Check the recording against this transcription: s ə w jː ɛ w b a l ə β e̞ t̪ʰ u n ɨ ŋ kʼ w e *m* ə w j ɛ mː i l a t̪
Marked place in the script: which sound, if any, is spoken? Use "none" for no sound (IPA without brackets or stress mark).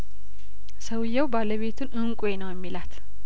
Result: n